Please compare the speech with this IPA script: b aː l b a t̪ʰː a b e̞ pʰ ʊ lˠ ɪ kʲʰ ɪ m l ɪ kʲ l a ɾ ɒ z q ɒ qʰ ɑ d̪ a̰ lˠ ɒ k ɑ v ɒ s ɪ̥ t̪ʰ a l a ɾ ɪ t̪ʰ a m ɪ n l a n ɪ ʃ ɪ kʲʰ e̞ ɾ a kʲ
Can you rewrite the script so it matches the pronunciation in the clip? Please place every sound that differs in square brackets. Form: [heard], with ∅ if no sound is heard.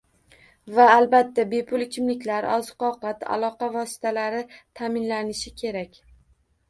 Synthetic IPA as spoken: [v] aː l b a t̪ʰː a b e̞ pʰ ʊ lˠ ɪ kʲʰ ɪ m l ɪ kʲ l a ɾ ɒ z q ɒ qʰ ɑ [t̪] a̰ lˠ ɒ [q] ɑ v ɒ s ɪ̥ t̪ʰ a l a ɾ ɪ t̪ʰ a m ɪ n l a n ɪ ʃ ɪ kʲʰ e̞ ɾ a kʲ